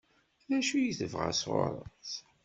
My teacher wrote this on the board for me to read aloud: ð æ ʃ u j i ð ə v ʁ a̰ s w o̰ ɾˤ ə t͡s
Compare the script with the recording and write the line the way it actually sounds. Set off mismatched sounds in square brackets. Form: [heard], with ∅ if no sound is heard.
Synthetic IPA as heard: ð æ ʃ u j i [θ] ə v ʁ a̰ s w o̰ ɾˤ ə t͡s